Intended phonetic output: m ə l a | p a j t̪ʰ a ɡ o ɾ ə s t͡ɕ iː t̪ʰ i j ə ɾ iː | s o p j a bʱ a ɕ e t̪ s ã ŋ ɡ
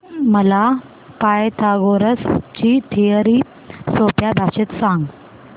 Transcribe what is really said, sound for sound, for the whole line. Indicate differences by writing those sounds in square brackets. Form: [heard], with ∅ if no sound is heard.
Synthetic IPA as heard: m ə l a | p a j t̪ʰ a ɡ o ɾ ə s t͡ɕ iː t̪ʰ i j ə ɾ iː | s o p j a bʱ a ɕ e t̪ s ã ŋ ɡ